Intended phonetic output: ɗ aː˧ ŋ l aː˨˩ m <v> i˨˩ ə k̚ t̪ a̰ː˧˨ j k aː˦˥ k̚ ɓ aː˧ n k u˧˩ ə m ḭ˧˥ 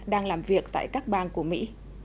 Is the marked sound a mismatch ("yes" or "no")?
no